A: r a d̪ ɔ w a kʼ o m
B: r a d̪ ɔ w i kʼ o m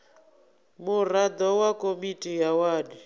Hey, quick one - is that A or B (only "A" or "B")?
A